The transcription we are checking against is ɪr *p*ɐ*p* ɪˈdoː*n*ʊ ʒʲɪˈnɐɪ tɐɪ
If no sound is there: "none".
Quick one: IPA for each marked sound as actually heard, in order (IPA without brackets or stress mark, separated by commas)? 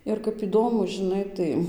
k, p, m